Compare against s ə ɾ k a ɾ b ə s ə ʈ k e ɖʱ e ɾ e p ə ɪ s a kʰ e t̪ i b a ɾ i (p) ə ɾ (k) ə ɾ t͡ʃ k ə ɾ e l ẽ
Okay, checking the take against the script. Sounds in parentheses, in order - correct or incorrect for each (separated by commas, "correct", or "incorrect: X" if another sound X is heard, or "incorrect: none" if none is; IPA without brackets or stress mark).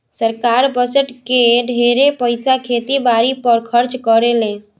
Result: correct, incorrect: kʰ